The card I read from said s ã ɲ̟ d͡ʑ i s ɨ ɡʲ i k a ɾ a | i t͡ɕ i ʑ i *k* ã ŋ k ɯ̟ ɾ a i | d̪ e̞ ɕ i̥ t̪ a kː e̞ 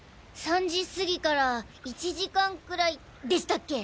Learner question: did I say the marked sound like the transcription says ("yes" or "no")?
yes